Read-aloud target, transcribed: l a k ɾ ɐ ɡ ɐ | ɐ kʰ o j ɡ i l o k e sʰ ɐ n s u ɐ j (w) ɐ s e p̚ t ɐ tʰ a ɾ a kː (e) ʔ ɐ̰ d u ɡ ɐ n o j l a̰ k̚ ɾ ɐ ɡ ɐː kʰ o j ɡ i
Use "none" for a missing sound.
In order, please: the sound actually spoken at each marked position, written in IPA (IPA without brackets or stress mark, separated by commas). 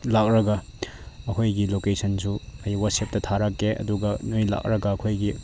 w, e